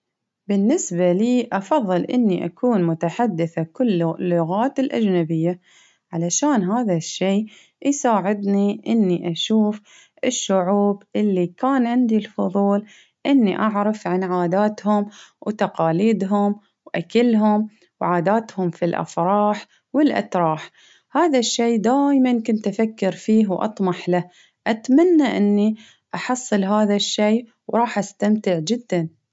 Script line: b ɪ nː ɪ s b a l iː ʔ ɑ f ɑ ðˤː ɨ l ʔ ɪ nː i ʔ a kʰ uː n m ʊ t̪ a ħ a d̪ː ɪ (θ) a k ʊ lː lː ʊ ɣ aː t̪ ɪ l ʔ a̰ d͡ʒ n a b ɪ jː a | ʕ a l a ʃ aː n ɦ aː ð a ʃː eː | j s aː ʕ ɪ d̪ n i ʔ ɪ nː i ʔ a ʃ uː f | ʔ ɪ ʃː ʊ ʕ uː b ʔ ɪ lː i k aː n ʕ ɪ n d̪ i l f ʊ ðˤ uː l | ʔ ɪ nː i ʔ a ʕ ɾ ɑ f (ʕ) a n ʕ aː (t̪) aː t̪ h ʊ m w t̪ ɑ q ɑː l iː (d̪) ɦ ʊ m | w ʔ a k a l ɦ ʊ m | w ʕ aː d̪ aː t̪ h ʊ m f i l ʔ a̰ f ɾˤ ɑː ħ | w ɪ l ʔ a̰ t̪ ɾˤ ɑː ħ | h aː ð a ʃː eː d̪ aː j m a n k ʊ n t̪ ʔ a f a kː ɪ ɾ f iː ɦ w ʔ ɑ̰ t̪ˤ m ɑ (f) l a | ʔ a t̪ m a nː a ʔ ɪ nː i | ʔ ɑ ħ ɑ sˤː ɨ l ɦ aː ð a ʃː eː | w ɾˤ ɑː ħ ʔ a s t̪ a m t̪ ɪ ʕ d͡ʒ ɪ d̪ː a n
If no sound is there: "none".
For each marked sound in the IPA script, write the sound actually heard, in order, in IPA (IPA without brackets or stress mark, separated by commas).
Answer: θ, ʕ, d̪, d̪, ħ